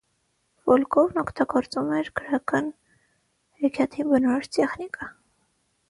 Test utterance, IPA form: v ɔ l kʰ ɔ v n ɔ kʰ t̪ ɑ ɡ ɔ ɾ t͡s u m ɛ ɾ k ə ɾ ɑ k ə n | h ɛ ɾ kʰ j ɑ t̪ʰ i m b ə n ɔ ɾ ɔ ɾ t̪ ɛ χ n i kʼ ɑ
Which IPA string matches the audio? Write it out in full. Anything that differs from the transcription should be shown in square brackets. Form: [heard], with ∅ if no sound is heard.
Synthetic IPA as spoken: v ɔ l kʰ ɔ v n ɔ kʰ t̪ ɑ ɡ ɔ ɾ t͡s u m ɛ ɾ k ə ɾ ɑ k [ɑ] n | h ɛ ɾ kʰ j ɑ t̪ʰ i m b ə n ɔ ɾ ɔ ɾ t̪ ɛ χ n i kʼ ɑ